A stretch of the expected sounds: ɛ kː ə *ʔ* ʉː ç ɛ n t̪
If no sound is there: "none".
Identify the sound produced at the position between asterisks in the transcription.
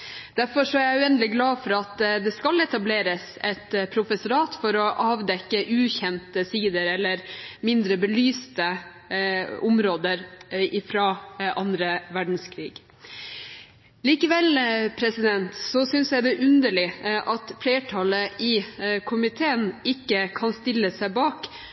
ʔ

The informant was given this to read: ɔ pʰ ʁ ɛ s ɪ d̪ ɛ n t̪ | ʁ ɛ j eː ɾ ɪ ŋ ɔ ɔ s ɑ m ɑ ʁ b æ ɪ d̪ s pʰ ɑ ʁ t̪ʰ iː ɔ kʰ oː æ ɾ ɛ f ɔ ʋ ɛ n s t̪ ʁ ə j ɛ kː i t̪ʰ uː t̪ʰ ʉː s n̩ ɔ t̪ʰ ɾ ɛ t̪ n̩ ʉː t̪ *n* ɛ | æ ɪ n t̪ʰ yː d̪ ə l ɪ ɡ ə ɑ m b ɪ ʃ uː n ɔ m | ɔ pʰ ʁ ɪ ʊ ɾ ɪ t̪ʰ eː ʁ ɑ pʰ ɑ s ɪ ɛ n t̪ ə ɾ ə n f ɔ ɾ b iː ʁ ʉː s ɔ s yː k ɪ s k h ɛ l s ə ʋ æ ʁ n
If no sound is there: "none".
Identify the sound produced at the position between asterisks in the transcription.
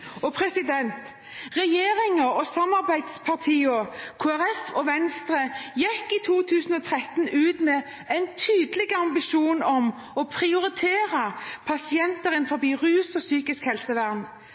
m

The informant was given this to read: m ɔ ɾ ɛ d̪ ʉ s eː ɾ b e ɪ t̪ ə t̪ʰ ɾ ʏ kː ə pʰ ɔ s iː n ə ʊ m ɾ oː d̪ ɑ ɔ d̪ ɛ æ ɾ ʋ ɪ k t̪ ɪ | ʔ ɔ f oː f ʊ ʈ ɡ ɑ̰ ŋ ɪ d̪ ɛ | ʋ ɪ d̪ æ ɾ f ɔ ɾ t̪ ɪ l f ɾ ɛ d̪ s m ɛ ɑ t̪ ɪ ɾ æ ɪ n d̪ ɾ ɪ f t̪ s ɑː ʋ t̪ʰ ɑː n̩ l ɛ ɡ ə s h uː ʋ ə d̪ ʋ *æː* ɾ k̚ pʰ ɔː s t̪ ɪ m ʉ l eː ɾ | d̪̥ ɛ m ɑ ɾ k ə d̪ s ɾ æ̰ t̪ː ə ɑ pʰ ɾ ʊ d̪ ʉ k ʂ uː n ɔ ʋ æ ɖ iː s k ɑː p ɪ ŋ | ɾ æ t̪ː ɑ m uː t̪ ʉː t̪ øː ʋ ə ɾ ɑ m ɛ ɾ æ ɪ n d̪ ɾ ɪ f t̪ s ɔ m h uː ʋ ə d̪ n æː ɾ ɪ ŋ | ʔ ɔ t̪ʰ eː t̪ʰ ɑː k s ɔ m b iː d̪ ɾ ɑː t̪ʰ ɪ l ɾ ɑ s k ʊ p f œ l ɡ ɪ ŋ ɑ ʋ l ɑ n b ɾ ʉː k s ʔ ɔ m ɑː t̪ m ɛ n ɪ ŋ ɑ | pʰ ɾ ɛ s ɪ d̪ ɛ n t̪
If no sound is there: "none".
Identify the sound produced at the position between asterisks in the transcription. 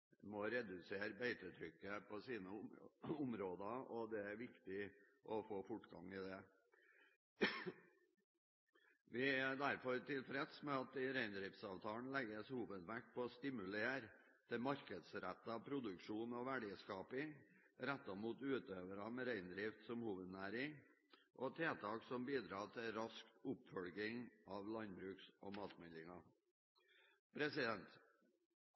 æ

